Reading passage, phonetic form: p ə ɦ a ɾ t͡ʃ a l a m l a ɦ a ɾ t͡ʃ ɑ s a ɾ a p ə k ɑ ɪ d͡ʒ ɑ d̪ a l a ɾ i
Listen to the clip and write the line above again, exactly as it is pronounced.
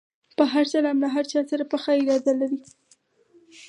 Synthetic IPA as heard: p ə ɦ a ɾ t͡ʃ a l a m l a ɦ a ɾ t͡ʃ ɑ s a ɾ a p ə x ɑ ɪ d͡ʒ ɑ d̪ a l a ɾ i

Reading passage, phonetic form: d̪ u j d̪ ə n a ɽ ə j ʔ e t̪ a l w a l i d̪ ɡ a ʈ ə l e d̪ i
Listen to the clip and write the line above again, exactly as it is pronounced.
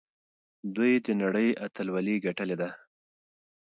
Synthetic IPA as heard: d̪ u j d̪ ə n a ɽ ə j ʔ a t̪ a l w a l i ɡ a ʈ ə l e d̪ a

